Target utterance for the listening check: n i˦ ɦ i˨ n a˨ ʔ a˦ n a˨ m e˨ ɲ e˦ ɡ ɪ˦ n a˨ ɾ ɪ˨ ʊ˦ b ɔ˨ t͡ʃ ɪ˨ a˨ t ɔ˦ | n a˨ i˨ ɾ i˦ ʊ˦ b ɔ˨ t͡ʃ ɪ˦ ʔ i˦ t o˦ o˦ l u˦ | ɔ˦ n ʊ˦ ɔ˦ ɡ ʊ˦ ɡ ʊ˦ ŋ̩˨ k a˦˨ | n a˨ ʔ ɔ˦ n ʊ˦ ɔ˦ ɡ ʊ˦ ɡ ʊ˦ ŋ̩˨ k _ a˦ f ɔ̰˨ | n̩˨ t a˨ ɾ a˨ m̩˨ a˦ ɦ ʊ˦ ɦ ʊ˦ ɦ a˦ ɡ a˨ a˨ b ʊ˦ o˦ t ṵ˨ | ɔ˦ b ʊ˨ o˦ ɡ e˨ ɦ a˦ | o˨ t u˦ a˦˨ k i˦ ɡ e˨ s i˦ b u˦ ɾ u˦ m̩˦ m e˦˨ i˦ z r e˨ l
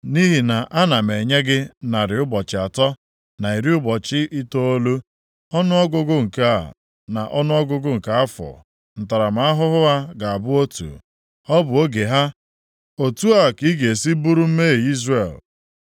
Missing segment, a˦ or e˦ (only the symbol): a˦